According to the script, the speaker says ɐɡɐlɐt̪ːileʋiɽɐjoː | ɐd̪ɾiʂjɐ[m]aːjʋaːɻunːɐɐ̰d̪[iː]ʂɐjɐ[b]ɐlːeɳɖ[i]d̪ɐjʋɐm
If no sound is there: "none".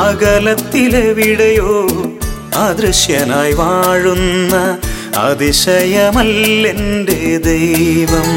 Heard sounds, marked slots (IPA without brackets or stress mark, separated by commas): n, i, m, e